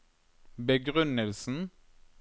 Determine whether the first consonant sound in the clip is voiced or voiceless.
voiced